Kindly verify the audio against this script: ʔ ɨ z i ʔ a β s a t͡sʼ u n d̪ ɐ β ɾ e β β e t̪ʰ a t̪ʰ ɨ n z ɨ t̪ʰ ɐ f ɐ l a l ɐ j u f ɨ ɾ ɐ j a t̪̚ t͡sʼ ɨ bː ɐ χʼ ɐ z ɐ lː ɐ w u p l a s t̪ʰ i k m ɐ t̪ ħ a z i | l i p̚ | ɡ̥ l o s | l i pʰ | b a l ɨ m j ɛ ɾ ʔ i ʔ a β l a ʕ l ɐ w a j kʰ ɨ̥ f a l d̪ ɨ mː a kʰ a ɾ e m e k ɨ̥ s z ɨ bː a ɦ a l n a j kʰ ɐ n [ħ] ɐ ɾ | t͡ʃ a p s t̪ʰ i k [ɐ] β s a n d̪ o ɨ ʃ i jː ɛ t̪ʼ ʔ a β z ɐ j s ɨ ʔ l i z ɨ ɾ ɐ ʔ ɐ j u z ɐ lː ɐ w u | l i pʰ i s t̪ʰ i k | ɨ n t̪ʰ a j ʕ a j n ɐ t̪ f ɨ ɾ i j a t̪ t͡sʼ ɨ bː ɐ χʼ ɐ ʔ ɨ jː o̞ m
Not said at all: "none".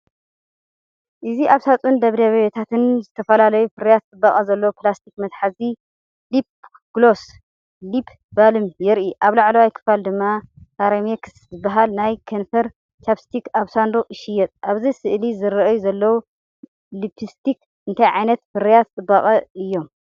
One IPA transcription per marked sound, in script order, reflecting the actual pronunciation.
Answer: f, a

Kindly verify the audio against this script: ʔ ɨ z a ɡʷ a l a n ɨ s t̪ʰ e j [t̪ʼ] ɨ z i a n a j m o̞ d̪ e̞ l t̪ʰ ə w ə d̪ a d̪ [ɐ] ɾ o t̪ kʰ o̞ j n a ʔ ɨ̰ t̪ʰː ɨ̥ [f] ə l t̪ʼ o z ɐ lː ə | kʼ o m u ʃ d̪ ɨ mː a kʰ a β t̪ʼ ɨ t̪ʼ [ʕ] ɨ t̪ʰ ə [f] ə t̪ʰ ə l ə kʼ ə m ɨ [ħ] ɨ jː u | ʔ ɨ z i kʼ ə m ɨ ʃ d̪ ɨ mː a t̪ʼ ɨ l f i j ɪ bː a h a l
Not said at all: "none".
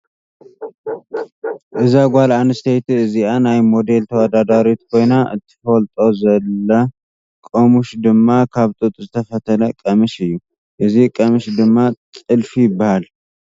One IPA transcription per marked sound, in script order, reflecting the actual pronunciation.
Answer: t̪, a, f, z, f, ʃ

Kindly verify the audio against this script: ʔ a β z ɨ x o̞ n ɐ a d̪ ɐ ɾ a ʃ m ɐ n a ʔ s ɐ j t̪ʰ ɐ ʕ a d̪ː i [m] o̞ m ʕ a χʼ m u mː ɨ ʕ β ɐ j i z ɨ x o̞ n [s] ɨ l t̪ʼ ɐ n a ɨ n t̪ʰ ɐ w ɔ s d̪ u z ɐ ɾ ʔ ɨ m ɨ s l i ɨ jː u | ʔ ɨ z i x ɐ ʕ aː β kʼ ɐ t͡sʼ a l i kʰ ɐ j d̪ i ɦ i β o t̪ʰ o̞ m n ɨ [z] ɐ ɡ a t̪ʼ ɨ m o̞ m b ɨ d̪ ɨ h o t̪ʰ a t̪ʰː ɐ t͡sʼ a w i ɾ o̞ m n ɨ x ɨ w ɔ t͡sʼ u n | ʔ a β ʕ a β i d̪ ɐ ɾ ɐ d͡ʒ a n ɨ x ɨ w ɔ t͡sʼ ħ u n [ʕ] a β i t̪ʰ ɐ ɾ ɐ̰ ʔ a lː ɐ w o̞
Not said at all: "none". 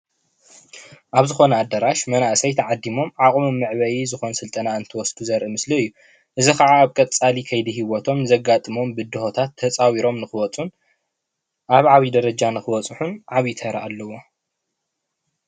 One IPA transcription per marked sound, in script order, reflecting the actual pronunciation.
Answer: m, s, z, ʕ

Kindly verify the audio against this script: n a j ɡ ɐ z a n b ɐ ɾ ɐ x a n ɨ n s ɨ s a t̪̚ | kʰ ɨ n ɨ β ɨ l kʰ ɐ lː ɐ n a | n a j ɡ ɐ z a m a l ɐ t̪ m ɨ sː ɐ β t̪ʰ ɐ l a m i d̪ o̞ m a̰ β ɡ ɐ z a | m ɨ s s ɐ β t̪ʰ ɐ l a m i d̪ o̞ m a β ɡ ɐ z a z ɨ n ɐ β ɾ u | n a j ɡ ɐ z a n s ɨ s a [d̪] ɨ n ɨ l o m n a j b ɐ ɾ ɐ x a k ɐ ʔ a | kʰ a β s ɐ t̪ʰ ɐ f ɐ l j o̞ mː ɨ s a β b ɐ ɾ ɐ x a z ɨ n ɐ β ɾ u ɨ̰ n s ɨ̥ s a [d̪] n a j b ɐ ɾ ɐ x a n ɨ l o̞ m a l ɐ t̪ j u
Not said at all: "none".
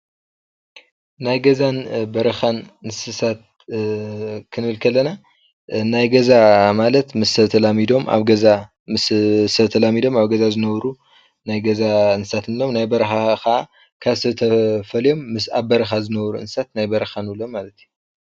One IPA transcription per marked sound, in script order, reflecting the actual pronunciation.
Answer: t̪, t̪

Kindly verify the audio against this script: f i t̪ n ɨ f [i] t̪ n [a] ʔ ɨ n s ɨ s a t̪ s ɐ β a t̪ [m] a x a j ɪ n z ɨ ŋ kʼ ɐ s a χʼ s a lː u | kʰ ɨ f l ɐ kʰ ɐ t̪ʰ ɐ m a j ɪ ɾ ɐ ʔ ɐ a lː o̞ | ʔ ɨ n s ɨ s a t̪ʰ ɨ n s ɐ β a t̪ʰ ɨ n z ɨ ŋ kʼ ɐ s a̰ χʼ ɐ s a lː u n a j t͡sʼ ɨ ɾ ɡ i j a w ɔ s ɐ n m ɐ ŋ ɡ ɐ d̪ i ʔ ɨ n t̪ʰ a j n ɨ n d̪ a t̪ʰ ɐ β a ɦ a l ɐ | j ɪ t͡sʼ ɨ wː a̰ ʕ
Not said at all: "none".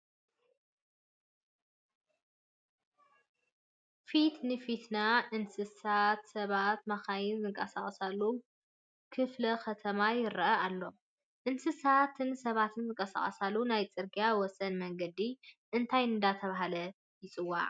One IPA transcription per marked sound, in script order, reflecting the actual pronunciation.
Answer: i, a, m

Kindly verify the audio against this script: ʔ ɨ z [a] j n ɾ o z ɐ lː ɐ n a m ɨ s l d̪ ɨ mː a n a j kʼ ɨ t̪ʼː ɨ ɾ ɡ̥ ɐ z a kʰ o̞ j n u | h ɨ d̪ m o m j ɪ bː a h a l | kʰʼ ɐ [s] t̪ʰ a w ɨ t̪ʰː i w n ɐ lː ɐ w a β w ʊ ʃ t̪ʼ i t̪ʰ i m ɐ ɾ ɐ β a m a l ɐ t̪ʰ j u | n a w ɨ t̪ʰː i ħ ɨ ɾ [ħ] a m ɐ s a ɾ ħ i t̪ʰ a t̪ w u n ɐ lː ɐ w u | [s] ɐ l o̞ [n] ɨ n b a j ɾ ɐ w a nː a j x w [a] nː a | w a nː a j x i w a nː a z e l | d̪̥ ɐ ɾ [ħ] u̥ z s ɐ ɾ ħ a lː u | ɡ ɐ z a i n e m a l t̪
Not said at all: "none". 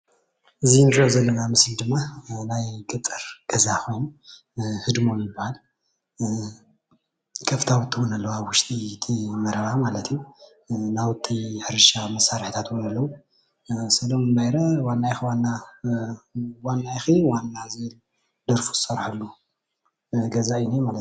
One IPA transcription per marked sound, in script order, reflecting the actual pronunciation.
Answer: i, f, ʃ, s, m, a, f

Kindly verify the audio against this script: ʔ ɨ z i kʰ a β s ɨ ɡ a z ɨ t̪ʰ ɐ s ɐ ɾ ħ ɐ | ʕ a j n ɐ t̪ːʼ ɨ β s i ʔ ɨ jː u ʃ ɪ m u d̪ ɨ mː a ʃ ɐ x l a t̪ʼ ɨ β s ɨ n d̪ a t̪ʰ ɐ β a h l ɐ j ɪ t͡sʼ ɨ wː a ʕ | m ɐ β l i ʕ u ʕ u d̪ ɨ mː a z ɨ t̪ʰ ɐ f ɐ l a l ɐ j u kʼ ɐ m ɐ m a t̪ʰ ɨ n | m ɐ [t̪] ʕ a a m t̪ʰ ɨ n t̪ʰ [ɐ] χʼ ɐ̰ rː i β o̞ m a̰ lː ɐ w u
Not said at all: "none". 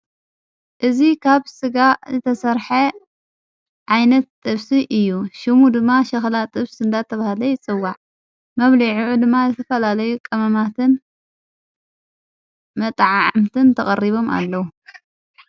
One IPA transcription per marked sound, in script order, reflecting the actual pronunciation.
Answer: t̪ʼ, ɐ

